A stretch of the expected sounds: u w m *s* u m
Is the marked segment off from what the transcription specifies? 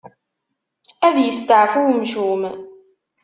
yes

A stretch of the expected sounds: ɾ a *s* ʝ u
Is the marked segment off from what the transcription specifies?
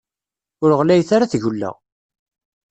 yes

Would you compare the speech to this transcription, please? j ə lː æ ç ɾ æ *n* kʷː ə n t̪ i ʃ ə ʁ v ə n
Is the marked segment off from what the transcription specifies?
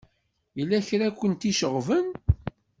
yes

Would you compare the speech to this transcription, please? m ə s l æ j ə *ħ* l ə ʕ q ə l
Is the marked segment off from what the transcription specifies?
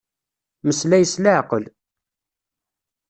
yes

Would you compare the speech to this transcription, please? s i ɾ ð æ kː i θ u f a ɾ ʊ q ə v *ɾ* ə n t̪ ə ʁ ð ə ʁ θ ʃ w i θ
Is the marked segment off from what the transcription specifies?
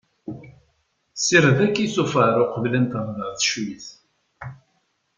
yes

